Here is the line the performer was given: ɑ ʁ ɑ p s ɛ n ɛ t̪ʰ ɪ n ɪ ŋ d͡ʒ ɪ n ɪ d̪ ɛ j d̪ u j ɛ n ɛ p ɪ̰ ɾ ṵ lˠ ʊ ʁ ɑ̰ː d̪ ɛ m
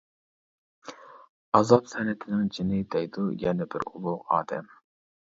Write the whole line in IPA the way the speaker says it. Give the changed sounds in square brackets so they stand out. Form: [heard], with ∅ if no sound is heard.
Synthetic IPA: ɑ [z] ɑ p s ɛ n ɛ t̪ʰ ɪ n ɪ ŋ d͡ʒ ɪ n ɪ d̪ ɛ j d̪ u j ɛ n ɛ [b] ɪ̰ ɾ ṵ lˠ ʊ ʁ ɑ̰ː d̪ ɛ m